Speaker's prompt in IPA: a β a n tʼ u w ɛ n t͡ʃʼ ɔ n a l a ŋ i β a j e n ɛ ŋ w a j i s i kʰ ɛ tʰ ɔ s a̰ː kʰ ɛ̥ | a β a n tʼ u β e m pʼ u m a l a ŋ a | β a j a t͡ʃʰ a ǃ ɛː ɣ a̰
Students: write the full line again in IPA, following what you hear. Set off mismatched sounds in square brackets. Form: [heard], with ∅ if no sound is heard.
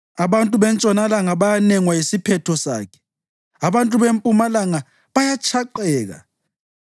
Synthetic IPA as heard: a β a n tʼ u [β] ɛ n t͡ʃʼ ɔ n a l a ŋ [a] β a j [a] n ɛ ŋ w a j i s i [pʰ] ɛ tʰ ɔ s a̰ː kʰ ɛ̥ | a β a n tʼ u β e m pʼ u m a l a ŋ a | β a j a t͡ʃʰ a ǃ ɛː ɣ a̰